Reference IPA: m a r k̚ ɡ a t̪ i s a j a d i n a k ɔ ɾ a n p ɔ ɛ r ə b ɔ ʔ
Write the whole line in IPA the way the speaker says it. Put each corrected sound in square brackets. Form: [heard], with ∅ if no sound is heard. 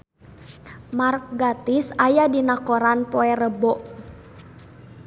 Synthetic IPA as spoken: m a r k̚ ɡ a t̪ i s a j a d i n a k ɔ ɾ a n p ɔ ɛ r ə b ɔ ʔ

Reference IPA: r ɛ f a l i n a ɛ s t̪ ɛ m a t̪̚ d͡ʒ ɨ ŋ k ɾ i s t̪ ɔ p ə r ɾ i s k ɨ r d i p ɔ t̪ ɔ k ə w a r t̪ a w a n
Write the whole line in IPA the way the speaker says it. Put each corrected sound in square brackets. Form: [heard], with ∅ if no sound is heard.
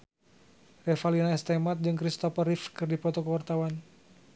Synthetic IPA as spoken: r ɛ f a l i n a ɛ s t̪ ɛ m a t̪̚ d͡ʒ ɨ ŋ k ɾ i s t̪ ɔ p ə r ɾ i [f] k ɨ r d i p ɔ t̪ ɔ k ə w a r t̪ a w a n

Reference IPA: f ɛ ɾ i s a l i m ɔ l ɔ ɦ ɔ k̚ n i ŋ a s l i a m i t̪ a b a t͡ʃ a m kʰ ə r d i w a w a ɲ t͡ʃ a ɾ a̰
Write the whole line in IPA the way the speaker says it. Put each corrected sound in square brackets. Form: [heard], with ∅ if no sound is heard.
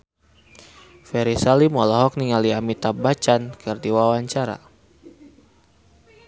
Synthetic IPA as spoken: f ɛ ɾ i s a l i m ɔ l ɔ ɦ ɔ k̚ n i ŋ a [∅] l i a m i t̪ a b a t͡ʃ a [n] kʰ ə r d i w a w a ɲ t͡ʃ a ɾ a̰

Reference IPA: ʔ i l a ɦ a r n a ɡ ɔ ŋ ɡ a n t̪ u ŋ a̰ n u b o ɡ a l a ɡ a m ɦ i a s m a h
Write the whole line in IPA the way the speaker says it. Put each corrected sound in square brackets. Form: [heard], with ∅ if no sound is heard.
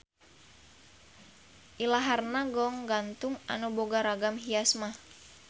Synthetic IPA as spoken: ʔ i l a ɦ a r n a ɡ ɔ ŋ ɡ a n t̪ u ŋ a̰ n u b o ɡ a [ɾ] a ɡ a m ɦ i a s m a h

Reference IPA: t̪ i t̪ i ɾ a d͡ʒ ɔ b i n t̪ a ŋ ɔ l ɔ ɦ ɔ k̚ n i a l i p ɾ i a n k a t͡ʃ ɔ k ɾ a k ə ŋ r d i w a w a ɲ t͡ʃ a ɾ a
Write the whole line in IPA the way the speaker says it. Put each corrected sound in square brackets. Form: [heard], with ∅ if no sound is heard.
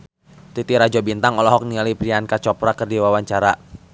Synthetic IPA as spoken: t̪ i t̪ i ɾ a d͡ʒ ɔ b i n t̪ a ŋ ɔ l ɔ ɦ ɔ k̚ n i a l i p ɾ i a n k a t͡ʃ ɔ [p] ɾ a k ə [∅] r d i w a w a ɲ t͡ʃ a ɾ a

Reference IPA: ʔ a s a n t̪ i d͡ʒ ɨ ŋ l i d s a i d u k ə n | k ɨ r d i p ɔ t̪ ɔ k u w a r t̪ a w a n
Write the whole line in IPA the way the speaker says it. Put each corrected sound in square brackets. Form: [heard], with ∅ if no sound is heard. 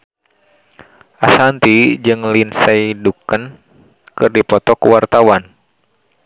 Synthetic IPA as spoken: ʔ a s a n t̪ i d͡ʒ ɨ ŋ l i [n] s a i d u k ə n | k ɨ r d i p ɔ t̪ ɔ k u w a r t̪ a w a n

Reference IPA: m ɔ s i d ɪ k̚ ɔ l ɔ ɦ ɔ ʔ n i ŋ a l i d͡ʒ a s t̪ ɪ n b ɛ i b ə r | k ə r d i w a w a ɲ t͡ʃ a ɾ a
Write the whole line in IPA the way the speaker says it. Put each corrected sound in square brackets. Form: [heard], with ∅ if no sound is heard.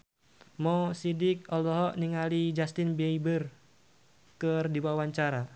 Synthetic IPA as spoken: m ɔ s i d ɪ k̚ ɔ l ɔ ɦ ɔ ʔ n i ŋ a l i d͡ʒ a s t̪ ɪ n b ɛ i b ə r | k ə r d i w a w a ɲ t͡ʃ a ɾ a

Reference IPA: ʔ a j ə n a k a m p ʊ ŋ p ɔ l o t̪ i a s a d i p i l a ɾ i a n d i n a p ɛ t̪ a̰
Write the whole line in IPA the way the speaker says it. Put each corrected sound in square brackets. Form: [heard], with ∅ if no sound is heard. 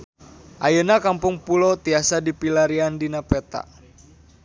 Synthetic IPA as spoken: ʔ a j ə n a k a m p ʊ ŋ p [u] l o t̪ i a s a d i p i l a ɾ i a n d i n a p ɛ t̪ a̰

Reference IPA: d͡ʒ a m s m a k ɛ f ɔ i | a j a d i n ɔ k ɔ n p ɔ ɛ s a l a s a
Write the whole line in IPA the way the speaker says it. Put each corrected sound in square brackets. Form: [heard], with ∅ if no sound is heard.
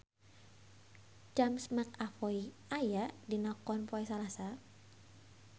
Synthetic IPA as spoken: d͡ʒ a m s m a k [a] f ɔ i | a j a d i n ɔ k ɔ n p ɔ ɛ s a l a s a

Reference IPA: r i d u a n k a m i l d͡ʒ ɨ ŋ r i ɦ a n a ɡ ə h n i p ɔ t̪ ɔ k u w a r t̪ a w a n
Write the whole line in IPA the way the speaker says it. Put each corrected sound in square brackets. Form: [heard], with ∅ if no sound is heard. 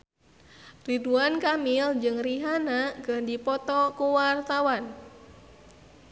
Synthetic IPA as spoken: r i d u a n k a m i l d͡ʒ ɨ ŋ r i ɦ a n a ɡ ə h [d] i p ɔ t̪ ɔ k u w a r t̪ a w a n

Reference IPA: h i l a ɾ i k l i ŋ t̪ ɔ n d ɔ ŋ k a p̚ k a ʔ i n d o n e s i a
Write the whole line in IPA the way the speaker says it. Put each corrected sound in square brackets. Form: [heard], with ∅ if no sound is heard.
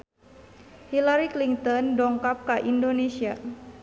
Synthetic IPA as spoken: h i l a ɾ i k l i ŋ t̪ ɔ n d ɔ ŋ k a p̚ k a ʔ i n d o n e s i a

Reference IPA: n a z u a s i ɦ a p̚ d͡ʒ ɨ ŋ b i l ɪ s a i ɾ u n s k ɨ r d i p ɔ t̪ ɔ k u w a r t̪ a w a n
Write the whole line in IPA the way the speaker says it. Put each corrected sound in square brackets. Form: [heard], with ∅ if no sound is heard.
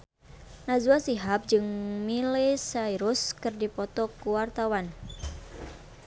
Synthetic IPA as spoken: n a z u a s i ɦ a p̚ d͡ʒ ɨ ŋ [m] i l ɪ s a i ɾ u [∅] s k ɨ r d i p ɔ t̪ ɔ k u w a r t̪ a w a n

